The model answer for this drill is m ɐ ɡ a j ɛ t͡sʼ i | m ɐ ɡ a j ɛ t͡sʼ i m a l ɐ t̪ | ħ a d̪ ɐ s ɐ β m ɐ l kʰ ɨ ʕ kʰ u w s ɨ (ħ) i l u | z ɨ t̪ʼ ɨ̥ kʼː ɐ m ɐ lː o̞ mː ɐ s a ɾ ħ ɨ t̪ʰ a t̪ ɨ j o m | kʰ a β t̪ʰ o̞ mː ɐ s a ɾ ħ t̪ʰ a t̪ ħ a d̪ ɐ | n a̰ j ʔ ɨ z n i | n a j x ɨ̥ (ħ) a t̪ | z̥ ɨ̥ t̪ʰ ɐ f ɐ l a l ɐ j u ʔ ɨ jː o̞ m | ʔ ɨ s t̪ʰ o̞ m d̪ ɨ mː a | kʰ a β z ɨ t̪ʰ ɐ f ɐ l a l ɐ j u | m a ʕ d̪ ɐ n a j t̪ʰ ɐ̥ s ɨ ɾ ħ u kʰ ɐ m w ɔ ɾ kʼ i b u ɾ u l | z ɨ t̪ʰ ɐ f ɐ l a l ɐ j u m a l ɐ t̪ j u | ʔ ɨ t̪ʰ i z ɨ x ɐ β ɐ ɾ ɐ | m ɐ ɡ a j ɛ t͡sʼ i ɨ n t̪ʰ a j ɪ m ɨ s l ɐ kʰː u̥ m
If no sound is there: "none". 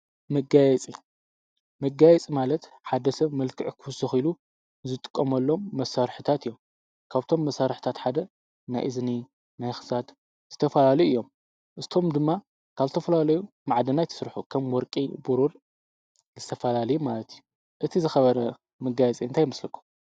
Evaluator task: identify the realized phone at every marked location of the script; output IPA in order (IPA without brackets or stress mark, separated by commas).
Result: x, s